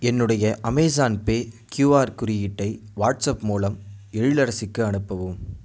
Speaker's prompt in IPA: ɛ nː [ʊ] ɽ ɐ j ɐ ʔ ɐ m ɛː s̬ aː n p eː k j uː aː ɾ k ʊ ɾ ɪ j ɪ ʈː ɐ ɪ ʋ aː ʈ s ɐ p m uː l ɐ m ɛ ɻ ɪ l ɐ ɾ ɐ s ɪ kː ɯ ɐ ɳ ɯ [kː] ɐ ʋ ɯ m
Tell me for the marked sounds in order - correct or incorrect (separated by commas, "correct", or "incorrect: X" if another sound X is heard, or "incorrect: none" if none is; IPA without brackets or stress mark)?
incorrect: ɯ, incorrect: pː